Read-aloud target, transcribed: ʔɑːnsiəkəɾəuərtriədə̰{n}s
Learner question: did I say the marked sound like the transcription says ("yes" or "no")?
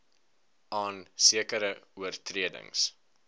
no